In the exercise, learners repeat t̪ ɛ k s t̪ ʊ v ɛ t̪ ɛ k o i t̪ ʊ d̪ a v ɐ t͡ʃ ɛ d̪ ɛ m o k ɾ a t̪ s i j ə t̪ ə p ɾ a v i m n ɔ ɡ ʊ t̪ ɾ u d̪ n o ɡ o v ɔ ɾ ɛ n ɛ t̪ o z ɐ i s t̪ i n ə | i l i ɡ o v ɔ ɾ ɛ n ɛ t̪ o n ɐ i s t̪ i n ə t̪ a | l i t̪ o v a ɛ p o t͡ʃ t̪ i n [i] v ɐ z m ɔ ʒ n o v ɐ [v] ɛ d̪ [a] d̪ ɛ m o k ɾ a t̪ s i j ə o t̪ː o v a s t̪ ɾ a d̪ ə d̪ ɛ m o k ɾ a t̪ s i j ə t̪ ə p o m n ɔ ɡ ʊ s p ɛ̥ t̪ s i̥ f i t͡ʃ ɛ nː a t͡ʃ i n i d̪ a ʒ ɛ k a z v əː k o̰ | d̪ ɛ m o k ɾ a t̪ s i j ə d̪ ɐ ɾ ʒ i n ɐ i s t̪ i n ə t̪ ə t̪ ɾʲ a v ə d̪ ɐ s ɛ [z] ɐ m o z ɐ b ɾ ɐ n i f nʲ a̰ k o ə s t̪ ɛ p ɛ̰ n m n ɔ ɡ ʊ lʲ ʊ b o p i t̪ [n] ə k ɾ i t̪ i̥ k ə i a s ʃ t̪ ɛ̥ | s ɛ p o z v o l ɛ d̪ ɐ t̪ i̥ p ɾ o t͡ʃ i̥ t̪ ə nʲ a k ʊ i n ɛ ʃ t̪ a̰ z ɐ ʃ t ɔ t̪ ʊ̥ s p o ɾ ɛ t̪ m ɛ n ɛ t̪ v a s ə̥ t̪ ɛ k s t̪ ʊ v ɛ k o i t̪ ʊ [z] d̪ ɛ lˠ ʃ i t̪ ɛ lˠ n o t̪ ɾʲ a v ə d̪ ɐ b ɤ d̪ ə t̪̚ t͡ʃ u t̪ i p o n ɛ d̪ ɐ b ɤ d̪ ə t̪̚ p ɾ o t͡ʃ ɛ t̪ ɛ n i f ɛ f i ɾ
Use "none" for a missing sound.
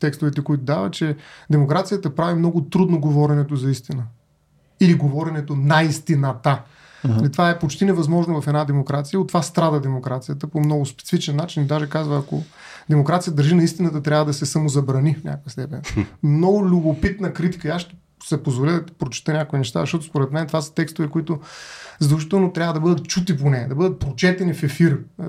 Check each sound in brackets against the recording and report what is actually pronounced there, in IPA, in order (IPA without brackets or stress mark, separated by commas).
ɛ, f, a, s, n, z